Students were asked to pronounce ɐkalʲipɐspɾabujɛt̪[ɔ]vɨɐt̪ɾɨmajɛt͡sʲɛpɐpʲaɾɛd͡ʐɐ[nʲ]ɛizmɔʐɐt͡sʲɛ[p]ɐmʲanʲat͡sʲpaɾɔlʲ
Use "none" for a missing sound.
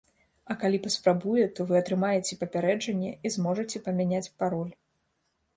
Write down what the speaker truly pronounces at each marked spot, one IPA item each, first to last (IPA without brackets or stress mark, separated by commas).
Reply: ɔ, nʲː, p